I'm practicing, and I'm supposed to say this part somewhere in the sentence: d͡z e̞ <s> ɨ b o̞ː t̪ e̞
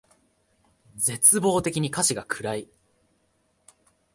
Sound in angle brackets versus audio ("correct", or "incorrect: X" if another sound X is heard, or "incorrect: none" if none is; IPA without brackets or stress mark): incorrect: t͡s